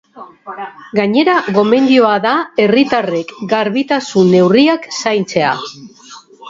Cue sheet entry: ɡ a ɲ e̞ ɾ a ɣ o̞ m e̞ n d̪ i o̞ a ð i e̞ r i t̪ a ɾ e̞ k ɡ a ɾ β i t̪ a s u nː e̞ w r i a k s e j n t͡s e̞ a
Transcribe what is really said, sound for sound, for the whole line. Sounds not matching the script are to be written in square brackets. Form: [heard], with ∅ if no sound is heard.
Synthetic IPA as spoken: ɡ a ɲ e̞ ɾ a ɣ o̞ m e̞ n d̪ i o̞ a ð [a] e̞ r i t̪ a [r] e̞ k ɡ a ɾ β i t̪ a s u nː e̞ w r i a k s [a] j n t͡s e̞ a